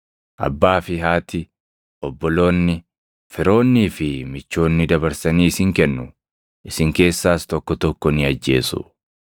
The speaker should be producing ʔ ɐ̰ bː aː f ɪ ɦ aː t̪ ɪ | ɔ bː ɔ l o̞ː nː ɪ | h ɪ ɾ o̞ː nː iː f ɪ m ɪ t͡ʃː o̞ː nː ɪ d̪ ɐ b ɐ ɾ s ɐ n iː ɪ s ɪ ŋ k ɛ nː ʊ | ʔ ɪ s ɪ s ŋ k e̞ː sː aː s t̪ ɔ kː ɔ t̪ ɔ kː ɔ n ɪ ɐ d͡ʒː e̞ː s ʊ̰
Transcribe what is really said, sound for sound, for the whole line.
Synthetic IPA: ʔ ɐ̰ bː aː f ɪ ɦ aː t̪ ɪ | ɔ bː ɔ l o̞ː nː ɪ | f ɪ ɾ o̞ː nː iː f ɪ m ɪ t͡ʃː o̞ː nː ɪ d̪ ɐ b ɐ ɾ s ɐ n iː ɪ s ɪ ŋ k ɛ nː ʊ | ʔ ɪ s ɪ ŋ k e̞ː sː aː s t̪ ɔ kː ɔ t̪ ɔ kː ɔ n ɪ ɐ d͡ʒː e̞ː s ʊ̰